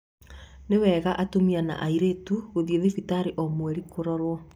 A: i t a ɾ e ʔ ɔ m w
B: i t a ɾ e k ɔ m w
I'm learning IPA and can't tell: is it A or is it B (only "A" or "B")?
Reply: A